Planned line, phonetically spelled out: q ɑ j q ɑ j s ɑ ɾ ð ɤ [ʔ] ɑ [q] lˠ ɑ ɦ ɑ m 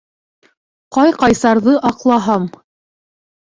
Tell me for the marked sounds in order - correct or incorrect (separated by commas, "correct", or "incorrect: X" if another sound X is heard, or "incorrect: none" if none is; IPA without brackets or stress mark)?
correct, correct